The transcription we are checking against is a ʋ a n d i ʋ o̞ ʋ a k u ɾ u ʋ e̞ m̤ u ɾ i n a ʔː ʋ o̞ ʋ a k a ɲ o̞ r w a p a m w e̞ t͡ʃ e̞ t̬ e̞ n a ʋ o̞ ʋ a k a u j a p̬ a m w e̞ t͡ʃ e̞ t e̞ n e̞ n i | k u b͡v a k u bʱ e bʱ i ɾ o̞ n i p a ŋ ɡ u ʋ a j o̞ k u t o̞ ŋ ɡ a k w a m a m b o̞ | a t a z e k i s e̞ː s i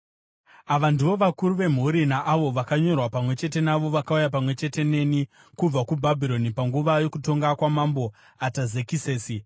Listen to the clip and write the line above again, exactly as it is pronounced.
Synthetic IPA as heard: a ʋ a n d i ʋ o̞ ʋ a k u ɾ u ʋ e̞ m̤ u ɾ i n a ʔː ʋ o̞ ʋ a k a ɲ o̞ r w a p a m w e̞ t͡ʃ e̞ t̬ e̞ n a ʋ o̞ ʋ a k a u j a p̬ a m w e̞ t͡ʃ e̞ t e̞ n e̞ n i | k u b͡v a k u bʱ a bʱ i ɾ o̞ n i p a ŋ ɡ u ʋ a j o̞ k u t o̞ ŋ ɡ a k w a m a m b o̞ | a t a z e k i s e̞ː s i